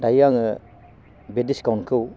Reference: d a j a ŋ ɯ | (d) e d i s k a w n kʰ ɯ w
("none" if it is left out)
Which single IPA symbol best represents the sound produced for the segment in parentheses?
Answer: b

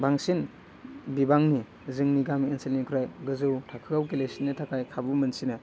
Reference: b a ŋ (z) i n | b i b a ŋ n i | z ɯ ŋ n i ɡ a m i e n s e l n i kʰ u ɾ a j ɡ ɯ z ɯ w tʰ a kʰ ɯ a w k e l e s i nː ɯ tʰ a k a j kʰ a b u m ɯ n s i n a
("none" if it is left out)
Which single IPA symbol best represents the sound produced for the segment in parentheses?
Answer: s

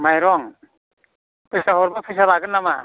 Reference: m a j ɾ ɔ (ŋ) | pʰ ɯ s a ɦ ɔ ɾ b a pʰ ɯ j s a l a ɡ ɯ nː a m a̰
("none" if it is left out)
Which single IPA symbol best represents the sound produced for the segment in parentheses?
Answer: ŋ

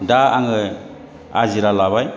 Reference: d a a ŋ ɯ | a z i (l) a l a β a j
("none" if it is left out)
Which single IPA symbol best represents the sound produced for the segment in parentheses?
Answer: ɾ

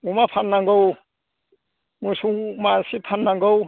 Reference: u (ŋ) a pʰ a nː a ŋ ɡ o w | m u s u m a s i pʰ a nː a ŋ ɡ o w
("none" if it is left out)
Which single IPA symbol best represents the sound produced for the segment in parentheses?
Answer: m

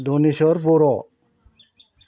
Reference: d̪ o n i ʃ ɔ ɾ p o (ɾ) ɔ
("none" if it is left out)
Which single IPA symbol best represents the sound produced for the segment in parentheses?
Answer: ɾ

